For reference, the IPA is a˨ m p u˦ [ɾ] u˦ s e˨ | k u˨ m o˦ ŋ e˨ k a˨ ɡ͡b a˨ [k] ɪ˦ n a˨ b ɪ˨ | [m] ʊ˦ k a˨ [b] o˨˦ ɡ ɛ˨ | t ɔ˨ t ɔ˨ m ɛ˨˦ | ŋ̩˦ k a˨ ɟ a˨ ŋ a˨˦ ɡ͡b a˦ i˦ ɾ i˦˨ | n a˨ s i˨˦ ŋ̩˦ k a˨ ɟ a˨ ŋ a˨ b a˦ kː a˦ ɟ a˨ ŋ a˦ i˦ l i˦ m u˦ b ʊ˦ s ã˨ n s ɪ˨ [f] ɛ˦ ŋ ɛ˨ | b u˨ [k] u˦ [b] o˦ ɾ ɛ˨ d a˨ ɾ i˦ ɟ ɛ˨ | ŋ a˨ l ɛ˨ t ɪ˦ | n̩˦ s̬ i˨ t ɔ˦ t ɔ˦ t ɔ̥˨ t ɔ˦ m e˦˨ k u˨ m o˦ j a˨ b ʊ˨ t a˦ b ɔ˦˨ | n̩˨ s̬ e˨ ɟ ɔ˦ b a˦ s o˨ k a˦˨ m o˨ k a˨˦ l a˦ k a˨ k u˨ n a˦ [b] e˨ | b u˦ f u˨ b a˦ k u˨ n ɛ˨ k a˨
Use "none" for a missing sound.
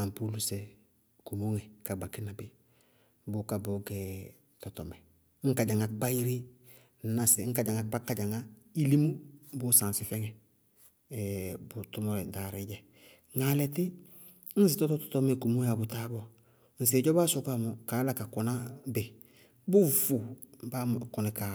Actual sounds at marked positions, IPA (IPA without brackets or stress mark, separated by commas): l, k, b, b, f, t, m, b